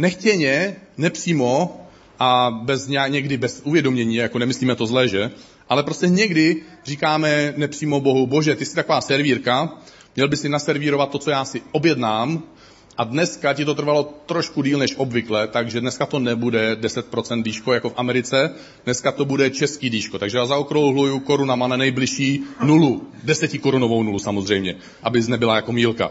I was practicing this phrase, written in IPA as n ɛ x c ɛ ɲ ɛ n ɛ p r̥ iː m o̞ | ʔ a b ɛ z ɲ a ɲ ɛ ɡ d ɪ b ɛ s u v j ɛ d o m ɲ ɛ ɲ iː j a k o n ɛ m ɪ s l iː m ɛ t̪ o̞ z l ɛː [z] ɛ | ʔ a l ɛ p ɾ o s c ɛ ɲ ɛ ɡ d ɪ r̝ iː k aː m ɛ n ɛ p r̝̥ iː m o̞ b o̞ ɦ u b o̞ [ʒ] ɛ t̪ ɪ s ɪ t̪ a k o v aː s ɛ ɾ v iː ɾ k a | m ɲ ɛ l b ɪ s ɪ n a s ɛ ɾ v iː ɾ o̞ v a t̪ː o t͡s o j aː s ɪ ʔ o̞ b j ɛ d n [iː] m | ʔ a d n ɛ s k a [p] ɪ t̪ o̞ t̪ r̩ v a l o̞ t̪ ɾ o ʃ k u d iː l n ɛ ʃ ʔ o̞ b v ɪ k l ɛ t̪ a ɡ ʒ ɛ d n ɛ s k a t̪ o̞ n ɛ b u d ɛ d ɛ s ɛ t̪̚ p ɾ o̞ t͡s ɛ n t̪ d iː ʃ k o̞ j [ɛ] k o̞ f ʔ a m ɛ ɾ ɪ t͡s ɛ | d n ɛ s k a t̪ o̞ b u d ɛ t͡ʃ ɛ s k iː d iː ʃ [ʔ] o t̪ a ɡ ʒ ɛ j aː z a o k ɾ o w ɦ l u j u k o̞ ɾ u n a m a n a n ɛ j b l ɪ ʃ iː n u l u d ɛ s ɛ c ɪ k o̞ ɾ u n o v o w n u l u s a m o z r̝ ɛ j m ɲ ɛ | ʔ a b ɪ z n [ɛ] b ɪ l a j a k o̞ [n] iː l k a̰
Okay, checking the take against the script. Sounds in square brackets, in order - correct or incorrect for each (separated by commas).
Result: incorrect, correct, incorrect, incorrect, incorrect, incorrect, correct, incorrect